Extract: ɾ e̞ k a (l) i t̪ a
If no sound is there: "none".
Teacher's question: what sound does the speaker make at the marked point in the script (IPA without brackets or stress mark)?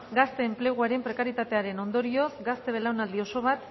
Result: ɾ